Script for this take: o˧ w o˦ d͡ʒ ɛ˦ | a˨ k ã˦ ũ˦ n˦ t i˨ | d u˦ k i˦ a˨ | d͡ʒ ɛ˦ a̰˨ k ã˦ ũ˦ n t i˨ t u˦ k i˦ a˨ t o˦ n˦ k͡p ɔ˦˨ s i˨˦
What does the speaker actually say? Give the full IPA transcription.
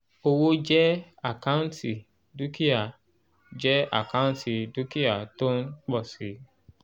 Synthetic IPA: o˧ w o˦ d͡ʒ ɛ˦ | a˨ k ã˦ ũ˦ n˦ t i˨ | d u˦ k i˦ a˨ | d͡ʒ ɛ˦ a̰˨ k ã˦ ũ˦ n t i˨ d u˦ k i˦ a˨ t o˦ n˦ k͡p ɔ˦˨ s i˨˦